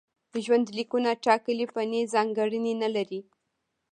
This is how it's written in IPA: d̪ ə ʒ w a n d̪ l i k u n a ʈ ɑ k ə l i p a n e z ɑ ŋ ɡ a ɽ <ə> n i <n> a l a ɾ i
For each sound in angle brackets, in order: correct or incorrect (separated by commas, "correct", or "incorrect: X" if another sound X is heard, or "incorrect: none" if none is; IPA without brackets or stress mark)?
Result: correct, correct